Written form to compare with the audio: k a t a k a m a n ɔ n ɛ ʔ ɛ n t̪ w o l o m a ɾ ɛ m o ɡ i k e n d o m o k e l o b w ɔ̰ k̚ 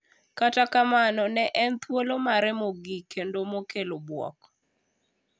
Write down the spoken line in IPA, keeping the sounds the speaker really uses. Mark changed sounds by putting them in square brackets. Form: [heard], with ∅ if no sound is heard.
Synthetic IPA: k a t a k a m a n ɔ n ɛ ʔ ɛ n t̪ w o l o m a ɾ ɛ m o ɡ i k e n d o m o k e l o b w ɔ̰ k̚